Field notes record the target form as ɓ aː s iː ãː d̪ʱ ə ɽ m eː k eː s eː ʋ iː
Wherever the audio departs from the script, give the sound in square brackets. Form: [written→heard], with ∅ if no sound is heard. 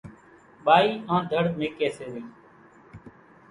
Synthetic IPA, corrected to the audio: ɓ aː [s→∅] iː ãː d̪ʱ ə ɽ m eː k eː s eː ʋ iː